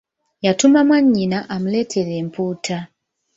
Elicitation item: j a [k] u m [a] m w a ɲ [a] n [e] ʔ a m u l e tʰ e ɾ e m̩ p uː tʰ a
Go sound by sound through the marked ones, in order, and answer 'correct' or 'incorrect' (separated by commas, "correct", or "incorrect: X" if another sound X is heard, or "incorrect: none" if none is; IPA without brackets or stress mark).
incorrect: t, correct, incorrect: i, incorrect: a